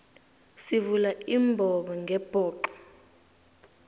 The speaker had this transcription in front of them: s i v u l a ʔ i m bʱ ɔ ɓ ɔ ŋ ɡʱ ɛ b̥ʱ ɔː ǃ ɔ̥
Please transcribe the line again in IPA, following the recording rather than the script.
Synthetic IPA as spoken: s i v u l a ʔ i m bʱ ɔ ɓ ɔ ŋ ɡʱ ɛ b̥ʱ ɔː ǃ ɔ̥